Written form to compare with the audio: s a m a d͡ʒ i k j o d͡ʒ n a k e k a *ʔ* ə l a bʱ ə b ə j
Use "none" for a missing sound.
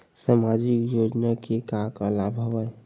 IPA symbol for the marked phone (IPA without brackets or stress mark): k